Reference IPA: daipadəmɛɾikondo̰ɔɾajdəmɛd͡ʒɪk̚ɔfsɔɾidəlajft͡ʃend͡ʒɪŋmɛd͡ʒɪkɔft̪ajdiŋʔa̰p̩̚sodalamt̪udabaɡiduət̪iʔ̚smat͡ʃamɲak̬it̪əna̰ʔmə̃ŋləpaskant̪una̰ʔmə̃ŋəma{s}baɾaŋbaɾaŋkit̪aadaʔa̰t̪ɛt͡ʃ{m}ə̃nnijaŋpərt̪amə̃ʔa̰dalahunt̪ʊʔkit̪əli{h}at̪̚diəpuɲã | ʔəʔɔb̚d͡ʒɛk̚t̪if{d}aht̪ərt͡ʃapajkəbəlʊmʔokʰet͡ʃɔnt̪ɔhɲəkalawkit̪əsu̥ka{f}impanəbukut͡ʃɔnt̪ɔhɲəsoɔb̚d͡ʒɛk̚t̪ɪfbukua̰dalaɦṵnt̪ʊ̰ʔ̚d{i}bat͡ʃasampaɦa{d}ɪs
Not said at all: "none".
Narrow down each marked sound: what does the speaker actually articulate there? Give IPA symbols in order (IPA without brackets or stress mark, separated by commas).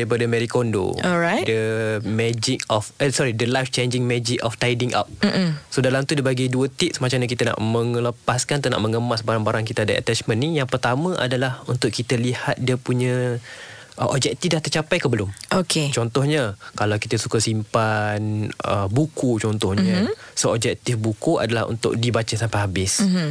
s, m, h, d, s, i, b